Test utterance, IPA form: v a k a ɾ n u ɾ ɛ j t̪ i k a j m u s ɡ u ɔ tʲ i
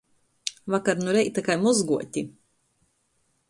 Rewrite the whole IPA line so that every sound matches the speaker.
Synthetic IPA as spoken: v a k a ɾ n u ɾ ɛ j t̪ a k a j m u z ɡ u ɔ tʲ i